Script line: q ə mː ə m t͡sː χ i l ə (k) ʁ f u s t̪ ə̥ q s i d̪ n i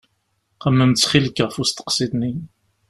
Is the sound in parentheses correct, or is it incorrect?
correct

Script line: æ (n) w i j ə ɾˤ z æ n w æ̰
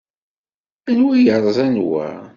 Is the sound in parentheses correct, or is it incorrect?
correct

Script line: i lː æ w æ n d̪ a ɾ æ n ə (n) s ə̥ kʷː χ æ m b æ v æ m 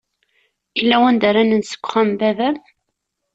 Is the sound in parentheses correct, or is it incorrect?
correct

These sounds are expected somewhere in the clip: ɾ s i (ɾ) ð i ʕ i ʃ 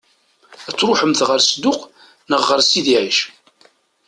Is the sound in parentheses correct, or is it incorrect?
incorrect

